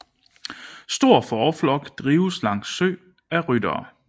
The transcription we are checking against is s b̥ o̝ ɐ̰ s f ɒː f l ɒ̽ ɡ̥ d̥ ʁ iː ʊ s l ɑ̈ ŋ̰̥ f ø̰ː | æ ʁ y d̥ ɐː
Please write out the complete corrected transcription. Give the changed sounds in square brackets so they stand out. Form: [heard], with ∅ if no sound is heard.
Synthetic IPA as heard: s [d̥] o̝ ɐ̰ [∅] f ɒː f l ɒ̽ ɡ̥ d̥ ʁ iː ʊ s l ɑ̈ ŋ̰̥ [s] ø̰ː | æ ʁ y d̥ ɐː